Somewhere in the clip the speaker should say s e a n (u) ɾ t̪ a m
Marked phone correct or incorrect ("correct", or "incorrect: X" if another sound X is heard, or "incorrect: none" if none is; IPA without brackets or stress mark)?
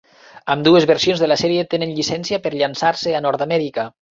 incorrect: ɔ